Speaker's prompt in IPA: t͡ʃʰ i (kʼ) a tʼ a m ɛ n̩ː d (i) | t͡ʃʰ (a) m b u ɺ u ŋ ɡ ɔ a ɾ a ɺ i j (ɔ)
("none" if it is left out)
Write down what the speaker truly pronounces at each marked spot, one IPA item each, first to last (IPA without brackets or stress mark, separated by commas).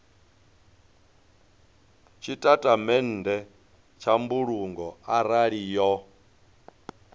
tʼ, ɛ, a, ɔ